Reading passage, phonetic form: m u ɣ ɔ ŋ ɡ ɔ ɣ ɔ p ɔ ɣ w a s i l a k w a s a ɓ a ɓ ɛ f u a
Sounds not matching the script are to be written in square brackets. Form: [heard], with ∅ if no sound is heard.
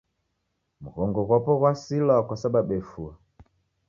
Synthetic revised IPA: m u ɣ ɔ ŋ ɡ ɔ ɣ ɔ p ɔ ɣ w a s i l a k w a s a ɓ a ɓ ɛ f u a